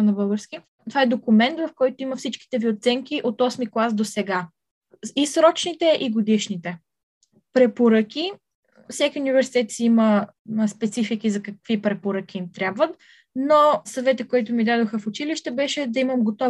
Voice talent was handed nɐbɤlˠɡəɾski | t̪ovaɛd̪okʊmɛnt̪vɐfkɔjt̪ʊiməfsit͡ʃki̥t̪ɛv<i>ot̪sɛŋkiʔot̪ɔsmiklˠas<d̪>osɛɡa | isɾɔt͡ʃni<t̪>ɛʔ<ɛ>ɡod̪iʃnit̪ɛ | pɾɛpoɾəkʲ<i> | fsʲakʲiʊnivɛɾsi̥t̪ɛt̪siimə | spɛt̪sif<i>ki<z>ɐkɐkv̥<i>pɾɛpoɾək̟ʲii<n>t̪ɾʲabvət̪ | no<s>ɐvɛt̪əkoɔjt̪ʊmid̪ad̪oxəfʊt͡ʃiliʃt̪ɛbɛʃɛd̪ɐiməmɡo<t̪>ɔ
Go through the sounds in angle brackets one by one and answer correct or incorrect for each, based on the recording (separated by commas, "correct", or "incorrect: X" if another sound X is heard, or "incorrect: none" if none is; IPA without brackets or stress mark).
correct, correct, correct, incorrect: i, correct, correct, correct, correct, incorrect: m, correct, correct